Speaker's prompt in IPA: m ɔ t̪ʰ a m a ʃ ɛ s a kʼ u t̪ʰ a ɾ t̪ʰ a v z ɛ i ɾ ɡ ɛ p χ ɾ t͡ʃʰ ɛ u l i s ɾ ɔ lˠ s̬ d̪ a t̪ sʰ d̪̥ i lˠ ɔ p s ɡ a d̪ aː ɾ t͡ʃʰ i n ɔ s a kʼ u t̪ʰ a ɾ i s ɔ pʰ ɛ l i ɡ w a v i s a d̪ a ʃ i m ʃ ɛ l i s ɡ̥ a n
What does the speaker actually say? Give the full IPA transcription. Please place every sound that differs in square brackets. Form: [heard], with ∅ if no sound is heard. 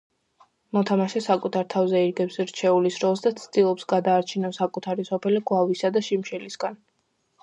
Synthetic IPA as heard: m ɔ t̪ʰ a m a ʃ ɛ s a kʼ u t̪ʰ a ɾ t̪ʰ a v z ɛ i ɾ ɡ ɛ p [s] ɾ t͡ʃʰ ɛ u l i s ɾ ɔ lˠ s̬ d̪ a t̪ sʰ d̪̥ i lˠ ɔ p s ɡ a d̪ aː ɾ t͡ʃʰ i n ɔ s a kʼ u t̪ʰ a ɾ i s ɔ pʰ ɛ l i ɡ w a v i s a d̪ a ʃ i m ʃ ɛ l i s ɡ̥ a n